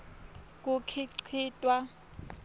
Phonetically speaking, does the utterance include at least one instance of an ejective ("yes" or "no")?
yes